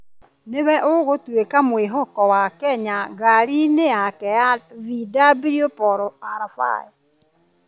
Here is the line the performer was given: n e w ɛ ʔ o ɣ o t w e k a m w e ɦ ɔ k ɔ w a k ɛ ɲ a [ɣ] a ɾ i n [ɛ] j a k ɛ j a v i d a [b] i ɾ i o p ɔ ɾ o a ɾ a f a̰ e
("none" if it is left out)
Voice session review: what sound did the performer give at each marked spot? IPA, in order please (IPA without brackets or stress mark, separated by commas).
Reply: ɣ, e, b